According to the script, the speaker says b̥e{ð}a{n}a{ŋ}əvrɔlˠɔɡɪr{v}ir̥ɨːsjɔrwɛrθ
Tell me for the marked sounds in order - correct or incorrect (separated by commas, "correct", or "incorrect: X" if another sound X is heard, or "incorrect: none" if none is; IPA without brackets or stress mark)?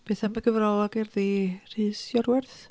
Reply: incorrect: θ, incorrect: m, incorrect: ɡ, incorrect: ð